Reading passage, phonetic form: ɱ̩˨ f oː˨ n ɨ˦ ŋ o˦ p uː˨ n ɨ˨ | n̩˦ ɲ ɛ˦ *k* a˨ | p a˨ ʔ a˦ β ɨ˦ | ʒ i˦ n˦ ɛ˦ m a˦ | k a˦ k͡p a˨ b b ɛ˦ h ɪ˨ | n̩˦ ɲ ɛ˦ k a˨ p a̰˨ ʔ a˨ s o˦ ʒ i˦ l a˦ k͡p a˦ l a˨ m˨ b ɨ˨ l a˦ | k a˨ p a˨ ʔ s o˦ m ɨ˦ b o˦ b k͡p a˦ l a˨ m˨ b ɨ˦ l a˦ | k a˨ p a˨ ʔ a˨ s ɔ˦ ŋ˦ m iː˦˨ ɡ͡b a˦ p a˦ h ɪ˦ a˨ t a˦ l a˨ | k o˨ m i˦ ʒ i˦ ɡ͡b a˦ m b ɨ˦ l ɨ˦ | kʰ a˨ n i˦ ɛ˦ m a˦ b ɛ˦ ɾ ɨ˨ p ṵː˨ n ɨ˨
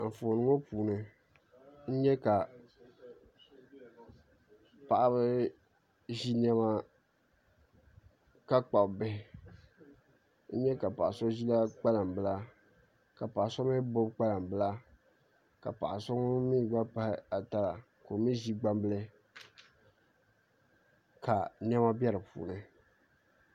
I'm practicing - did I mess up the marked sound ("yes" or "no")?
no